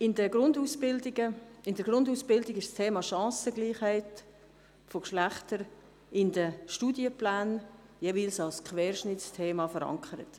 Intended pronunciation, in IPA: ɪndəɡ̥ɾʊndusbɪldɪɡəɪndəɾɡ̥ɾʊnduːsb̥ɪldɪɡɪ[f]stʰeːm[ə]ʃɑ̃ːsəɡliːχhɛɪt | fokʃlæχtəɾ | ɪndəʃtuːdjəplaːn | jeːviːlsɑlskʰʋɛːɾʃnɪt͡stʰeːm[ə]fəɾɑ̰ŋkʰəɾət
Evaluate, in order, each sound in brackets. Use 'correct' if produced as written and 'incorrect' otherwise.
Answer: incorrect, incorrect, incorrect

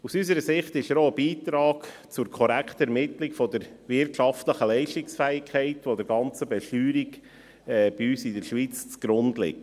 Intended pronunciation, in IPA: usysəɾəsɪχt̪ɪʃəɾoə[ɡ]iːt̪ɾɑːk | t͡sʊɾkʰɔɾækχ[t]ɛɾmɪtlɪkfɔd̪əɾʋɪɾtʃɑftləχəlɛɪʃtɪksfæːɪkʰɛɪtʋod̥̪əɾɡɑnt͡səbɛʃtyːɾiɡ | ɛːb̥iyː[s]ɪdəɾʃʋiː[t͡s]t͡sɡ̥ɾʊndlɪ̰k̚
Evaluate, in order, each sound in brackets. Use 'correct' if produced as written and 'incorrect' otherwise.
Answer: incorrect, correct, correct, correct

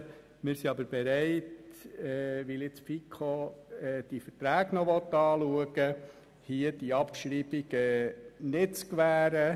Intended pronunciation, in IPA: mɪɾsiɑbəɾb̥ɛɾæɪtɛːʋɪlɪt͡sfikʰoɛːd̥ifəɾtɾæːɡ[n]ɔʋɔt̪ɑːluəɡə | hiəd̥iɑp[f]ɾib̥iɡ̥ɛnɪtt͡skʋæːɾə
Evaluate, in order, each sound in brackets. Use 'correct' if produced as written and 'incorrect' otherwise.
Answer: correct, incorrect

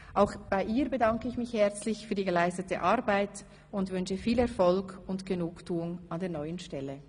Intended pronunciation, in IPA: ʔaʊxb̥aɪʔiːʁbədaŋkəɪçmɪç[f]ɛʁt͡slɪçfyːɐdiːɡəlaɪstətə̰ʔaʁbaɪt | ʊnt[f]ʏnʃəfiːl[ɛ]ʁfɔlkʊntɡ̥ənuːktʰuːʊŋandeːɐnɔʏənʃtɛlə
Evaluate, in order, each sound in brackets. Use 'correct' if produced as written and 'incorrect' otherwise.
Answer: incorrect, incorrect, correct

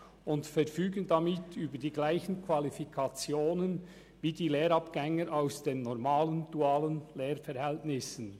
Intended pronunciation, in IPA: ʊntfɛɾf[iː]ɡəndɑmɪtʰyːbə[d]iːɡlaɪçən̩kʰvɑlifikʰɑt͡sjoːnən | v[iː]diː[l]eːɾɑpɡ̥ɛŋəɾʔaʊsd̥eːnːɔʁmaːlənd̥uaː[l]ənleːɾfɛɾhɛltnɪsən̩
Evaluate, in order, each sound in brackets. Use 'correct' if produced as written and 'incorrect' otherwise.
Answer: incorrect, correct, correct, correct, correct

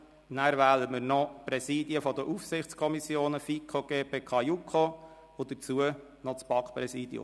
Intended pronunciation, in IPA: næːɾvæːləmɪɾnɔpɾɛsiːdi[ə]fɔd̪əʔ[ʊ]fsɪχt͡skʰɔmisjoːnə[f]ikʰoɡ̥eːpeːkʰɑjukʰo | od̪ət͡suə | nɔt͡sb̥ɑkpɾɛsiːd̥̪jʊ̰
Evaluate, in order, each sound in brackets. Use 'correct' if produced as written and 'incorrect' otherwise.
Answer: correct, incorrect, correct

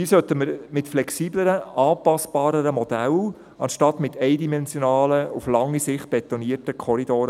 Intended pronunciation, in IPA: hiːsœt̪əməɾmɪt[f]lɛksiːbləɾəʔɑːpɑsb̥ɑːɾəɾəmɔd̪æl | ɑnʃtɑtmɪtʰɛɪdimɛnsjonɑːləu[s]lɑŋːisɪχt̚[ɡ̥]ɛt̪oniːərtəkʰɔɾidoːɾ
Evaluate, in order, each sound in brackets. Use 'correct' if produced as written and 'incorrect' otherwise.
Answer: correct, incorrect, incorrect

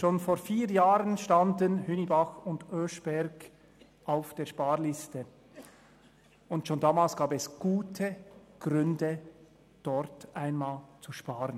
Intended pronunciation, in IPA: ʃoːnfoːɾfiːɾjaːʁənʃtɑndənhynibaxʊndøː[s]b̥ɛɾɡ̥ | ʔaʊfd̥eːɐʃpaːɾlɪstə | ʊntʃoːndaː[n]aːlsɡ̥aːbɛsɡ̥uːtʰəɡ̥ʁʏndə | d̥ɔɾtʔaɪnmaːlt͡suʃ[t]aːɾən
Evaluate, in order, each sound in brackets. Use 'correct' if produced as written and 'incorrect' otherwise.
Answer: incorrect, incorrect, incorrect

